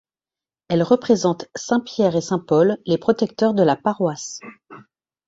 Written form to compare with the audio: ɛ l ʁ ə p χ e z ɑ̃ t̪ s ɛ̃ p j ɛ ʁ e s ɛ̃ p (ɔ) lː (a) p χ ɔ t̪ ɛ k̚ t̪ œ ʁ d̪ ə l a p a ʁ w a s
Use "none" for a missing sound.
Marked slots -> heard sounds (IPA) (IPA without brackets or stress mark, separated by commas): ɔ, e